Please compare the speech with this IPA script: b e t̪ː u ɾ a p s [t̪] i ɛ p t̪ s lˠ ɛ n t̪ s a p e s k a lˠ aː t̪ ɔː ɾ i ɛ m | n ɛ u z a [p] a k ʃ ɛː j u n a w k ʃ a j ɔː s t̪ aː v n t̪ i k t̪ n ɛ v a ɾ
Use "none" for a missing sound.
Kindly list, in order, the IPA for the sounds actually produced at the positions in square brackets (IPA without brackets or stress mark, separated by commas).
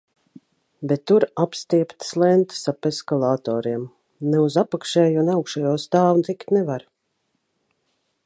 t̪, p